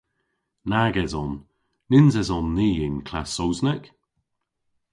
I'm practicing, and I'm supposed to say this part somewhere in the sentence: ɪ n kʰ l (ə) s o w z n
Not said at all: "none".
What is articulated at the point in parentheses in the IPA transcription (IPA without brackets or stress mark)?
a